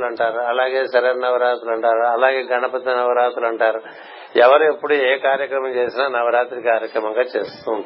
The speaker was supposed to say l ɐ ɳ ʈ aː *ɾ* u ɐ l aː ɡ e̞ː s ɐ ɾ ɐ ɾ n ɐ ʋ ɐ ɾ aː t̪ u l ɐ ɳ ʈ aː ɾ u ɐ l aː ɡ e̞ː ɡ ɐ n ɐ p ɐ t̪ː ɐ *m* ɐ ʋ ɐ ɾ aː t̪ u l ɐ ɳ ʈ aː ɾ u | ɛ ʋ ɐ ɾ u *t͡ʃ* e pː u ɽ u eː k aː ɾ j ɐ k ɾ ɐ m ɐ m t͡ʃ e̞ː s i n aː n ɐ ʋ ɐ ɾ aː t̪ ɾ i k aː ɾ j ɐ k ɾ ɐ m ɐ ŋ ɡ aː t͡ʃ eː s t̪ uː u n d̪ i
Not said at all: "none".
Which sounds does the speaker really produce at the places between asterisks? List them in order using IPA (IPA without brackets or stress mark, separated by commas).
ɾ, n, none